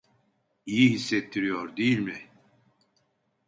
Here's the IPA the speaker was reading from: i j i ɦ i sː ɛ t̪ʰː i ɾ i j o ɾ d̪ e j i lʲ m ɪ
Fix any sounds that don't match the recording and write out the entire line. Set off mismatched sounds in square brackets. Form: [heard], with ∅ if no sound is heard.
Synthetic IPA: i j i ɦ i sː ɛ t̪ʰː i ɾ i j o ɾ d̪ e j i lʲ m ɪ